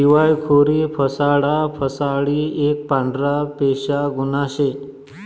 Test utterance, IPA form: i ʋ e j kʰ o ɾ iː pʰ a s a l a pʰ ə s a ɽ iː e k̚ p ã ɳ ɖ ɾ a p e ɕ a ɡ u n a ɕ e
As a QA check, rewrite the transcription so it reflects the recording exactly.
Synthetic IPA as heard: i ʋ a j kʰ o ɾ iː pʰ ə s a ɽ a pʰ ə s a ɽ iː e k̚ p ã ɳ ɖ ɾ a p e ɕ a ɡ u n a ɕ e

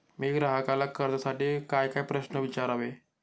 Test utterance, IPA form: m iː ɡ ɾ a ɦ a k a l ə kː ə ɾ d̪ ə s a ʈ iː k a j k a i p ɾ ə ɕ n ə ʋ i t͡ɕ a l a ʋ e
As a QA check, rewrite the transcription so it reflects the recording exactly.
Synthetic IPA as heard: m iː ɡ ɾ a ɦ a k a l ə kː ə ɾ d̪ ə s a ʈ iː k a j k a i p ɾ ə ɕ n ə ʋ i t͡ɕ a ɾ a ʋ e

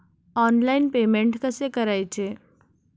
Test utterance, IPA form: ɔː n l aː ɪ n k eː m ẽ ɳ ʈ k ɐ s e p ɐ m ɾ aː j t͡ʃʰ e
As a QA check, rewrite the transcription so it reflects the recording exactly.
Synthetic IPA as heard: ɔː n l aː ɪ n p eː m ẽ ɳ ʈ k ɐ s e k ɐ ɾ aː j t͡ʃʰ e

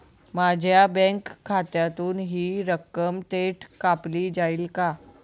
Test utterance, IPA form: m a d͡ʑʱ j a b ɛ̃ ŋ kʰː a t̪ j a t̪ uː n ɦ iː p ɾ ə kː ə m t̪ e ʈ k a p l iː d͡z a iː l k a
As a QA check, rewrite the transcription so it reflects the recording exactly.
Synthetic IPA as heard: m a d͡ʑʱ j a b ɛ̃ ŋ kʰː a t̪ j a t̪ uː n ɦ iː ɾ ə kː ə m t̪ e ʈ k a p l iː d͡z a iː l k a

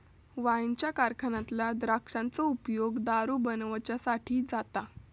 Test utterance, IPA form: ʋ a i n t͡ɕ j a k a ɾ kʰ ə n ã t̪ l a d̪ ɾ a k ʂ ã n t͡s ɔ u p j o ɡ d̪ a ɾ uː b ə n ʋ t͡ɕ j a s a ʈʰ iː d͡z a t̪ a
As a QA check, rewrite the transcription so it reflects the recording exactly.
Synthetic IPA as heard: ʋ a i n t͡ɕ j a k a ɾ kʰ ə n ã t̪ l a d̪ ɾ a k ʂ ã n t͡s ɔ u p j o ɡ d̪ a ɾ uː b ə n ʋ t͡ɕ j a s a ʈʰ iː d͡z a t̪ a

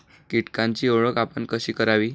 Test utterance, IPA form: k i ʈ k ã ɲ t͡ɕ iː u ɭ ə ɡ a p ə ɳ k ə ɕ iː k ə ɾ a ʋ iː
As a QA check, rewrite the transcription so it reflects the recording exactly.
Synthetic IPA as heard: k i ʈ k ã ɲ t͡ɕ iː o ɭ ə k a p ə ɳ k ə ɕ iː k ə ɾ a ʋ iː

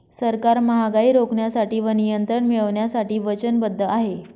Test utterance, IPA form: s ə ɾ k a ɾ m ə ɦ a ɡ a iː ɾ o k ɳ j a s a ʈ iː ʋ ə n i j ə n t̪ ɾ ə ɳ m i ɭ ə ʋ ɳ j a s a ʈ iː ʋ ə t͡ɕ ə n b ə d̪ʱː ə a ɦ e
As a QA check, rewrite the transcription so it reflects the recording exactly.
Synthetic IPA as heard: s ə ɾ k a ɾ m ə ɦ a ɡ a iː ɾ o k ɳ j a s a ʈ iː ʋ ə n i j ə n t̪ ɾ ə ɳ m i ɭ ə ʋ ɳ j a s a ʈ iː ʋ ə t͡ɕ ə n b ə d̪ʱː ə a ɦ e

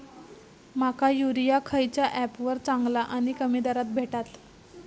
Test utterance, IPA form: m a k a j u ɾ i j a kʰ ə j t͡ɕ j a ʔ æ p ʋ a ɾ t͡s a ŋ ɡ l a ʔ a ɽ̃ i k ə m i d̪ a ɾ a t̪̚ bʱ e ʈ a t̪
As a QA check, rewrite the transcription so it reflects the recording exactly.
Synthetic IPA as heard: m a k a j u ɾ i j a kʰ ə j t͡ɕ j a ʔ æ p ʋ ə ɾ t͡s a ŋ ɡ l a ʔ a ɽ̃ i k ə m i d̪ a ɾ a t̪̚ bʱ e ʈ a t̪

